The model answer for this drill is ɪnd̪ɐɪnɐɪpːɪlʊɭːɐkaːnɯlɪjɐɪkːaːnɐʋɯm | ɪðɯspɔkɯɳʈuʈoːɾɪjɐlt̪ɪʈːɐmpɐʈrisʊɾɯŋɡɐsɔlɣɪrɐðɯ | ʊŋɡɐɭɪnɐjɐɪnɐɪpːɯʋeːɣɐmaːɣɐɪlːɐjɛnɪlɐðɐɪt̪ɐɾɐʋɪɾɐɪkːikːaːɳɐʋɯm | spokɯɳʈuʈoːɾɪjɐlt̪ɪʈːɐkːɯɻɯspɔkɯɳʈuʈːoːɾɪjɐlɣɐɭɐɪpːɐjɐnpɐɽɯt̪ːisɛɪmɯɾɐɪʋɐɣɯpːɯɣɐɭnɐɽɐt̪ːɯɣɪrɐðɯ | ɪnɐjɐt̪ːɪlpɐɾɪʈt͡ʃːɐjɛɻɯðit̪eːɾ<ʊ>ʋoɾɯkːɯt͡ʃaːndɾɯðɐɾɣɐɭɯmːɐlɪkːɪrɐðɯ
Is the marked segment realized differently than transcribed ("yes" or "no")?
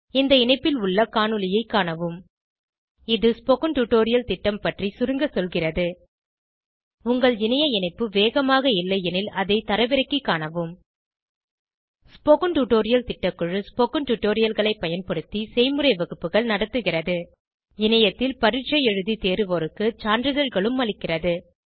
yes